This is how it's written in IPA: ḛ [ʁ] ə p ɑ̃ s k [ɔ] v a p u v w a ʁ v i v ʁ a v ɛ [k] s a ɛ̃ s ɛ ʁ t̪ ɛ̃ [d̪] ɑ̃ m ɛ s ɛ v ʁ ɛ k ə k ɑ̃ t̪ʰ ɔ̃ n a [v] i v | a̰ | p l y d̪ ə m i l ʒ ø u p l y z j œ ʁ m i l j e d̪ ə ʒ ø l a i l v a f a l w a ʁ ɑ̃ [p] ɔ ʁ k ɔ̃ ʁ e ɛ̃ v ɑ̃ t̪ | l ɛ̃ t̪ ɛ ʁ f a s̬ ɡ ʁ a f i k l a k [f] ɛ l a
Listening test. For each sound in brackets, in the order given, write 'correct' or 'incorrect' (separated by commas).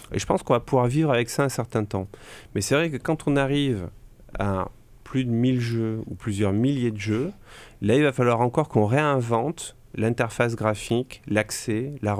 incorrect, incorrect, correct, incorrect, incorrect, incorrect, incorrect